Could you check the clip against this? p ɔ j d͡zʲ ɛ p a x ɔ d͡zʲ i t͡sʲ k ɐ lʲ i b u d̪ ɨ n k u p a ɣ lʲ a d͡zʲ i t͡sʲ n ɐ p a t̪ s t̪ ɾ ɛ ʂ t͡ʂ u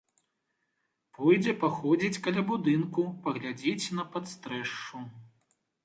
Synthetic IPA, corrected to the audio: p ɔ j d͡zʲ ɛ p a x ɔ d͡zʲ i t͡sʲ k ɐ lʲ a b u d̪ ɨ n k u p ɐ ɣ lʲ a d͡zʲ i t͡sʲ n ɐ p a t̪ s t̪ ɾ ɛ ʂ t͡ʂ u